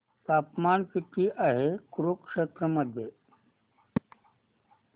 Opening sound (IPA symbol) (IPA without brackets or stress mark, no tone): t̪